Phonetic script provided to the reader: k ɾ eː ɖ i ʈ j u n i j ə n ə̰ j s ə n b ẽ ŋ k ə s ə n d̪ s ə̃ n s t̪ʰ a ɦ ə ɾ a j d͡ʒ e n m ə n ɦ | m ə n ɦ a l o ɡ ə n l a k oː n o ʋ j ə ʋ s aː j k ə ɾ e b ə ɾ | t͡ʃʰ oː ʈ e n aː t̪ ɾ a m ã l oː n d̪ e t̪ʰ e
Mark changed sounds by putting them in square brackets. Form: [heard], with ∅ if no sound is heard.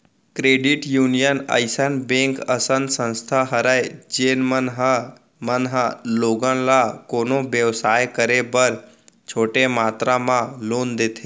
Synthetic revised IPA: k ɾ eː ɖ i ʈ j u n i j ə n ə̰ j s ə n b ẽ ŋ k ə s ə n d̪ s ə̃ n s t̪ʰ a ɦ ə ɾ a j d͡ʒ e n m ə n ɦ | m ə n ɦ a l o ɡ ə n l a k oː n o ʋ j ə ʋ s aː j k ə ɾ e b ə ɾ | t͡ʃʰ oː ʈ e [m] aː t̪ ɾ a m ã l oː n d̪ e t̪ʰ e